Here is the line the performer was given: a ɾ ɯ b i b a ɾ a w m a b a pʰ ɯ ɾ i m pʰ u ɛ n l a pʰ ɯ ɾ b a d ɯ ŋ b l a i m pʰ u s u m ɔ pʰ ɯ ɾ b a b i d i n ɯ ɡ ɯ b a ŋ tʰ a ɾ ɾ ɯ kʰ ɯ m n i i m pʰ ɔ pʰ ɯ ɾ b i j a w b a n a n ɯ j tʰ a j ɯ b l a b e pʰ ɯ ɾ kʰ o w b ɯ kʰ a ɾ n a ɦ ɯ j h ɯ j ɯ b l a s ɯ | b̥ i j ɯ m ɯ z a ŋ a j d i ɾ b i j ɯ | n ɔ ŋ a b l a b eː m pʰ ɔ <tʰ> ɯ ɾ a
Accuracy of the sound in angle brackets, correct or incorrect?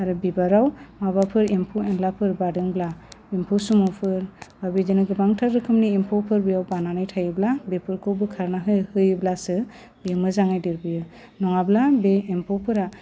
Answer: incorrect: pʰ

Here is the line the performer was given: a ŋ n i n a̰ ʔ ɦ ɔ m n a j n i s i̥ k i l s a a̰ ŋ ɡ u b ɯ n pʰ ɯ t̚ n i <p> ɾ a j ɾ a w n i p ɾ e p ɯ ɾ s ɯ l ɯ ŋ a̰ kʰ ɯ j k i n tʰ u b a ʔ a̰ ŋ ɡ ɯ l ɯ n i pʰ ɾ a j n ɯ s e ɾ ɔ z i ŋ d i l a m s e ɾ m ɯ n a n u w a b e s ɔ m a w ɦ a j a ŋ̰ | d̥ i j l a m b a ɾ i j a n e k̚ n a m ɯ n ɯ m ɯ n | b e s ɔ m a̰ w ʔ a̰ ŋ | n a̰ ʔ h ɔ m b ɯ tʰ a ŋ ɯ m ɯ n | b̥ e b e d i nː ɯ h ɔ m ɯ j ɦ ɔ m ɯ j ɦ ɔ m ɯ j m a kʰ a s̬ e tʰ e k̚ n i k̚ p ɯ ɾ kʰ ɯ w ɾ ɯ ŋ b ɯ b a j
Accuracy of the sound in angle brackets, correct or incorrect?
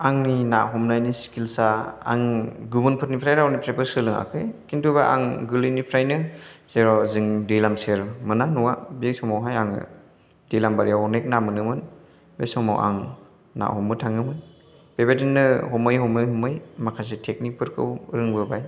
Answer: incorrect: pʰ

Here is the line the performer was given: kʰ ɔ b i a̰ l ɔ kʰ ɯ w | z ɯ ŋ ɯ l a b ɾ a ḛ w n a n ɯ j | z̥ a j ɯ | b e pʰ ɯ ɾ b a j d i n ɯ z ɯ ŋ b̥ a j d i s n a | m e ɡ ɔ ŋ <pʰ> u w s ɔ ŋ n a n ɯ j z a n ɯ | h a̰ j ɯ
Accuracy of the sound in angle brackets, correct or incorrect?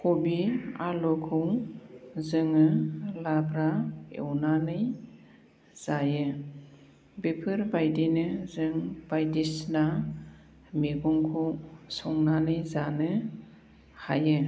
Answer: incorrect: kʰ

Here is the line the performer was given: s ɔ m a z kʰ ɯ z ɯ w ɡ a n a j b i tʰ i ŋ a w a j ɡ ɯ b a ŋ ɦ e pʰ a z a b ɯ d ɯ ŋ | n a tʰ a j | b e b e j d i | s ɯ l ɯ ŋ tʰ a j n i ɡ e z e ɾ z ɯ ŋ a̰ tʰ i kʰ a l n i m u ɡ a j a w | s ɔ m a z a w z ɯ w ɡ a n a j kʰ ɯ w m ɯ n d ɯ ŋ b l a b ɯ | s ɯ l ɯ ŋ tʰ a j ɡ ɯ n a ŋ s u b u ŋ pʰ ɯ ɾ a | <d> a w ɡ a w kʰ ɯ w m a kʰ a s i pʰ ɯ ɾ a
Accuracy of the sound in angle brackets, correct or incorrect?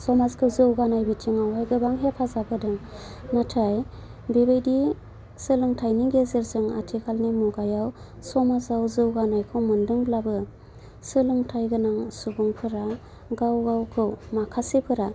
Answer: incorrect: ɡ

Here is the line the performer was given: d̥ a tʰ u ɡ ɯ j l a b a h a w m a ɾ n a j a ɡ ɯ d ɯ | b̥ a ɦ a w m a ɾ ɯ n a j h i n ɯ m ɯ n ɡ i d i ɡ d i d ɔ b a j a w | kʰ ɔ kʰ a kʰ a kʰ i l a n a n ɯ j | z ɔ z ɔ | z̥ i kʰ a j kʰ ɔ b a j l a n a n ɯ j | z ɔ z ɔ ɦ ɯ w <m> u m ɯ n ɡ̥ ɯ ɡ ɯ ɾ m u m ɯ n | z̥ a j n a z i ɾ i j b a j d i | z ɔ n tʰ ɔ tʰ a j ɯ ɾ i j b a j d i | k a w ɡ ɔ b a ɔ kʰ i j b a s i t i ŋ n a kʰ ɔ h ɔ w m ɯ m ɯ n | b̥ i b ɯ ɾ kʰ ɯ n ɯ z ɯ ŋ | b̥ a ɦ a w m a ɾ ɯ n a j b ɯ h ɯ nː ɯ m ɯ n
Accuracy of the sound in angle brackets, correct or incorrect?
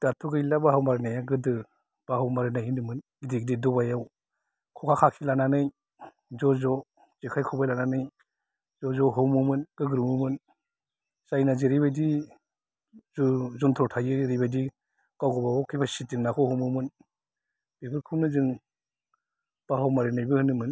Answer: correct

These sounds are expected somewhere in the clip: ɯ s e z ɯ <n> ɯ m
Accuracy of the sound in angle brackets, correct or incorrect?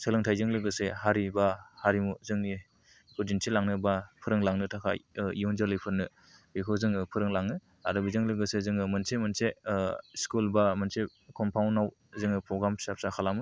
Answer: incorrect: ŋ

